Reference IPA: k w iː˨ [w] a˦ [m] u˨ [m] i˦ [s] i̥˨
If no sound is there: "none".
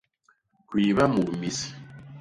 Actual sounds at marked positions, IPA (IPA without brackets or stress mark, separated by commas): β, m, m, s